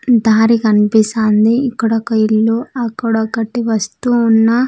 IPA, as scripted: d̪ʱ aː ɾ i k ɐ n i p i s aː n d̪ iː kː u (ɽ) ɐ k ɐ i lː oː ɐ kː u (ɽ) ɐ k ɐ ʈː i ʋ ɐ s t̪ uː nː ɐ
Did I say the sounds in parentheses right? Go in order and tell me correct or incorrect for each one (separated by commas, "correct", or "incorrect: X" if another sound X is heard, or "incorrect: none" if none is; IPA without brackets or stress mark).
correct, correct